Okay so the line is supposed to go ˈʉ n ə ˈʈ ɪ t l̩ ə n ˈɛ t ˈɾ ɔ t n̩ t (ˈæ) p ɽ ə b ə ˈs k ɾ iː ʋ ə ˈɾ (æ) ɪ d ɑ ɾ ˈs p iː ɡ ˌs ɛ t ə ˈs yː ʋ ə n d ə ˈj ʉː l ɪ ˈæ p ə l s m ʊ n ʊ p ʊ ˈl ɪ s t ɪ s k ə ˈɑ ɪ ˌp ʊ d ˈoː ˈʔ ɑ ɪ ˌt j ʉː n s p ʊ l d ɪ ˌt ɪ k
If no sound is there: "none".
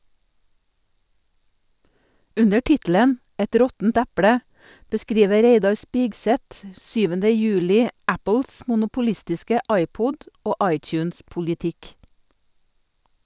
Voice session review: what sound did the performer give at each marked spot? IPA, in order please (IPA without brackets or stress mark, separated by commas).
æ, e